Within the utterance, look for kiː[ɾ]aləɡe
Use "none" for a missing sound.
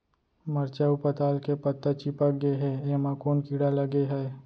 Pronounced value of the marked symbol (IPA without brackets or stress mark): ɽ